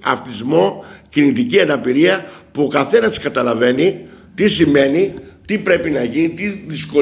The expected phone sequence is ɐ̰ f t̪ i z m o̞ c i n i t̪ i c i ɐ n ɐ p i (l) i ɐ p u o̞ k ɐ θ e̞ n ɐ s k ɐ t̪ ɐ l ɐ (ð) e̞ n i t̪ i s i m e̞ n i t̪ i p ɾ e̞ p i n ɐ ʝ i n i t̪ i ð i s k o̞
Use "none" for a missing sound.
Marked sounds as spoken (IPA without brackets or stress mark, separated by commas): ɾ, v